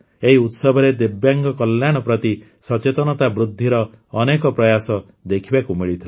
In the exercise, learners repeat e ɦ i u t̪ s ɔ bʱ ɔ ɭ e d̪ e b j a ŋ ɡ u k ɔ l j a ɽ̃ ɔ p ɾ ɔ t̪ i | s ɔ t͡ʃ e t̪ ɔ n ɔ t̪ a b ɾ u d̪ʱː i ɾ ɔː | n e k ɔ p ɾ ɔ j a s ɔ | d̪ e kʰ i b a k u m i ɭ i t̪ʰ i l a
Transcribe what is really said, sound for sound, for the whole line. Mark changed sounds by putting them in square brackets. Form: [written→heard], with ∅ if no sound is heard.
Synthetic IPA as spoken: e ɦ i u t̪ s ɔ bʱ ɔ [ɭ→ɾ] e d̪ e b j a ŋ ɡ [u→ɔ] k ɔ l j a ɽ̃ ɔ p ɾ ɔ t̪ i | s ɔ t͡ʃ e t̪ ɔ n ɔ t̪ a b ɾ u d̪ʱː i ɾ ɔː | n e k ɔ p ɾ ɔ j a s ɔ | d̪ e kʰ i b a k u m i ɭ i t̪ʰ i l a